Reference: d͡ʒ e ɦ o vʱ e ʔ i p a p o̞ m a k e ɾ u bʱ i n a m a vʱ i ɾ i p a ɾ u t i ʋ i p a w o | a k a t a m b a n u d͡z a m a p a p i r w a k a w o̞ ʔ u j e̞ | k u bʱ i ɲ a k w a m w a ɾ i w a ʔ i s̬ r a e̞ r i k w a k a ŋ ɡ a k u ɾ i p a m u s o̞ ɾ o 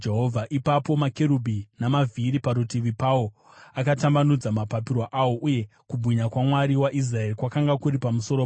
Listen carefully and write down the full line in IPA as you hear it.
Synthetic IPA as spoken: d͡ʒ e ɦ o vʱ a ʔ i p a p o̞ m a k e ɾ u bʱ i n a m a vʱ i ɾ i p a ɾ u t i ʋ i p a w o | a k a t a m b a n u d͡z a m a p a p i r w a ʔ a w o̞ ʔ u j e̞ | k u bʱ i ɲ a k w a m w a ɾ i w a ʔ i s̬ r a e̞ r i k w a k a ŋ ɡ a k u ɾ i p a m u s o̞ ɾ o